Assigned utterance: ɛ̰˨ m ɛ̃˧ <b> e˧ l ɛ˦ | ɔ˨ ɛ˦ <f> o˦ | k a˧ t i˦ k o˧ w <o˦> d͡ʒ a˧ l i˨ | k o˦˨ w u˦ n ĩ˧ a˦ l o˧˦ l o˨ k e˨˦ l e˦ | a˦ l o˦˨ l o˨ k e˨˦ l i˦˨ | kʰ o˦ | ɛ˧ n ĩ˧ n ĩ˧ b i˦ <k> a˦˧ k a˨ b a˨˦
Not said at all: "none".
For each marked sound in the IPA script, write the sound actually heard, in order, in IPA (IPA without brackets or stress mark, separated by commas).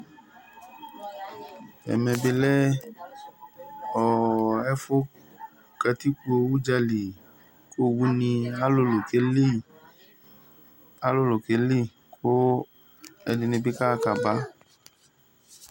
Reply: b, f, u˦, k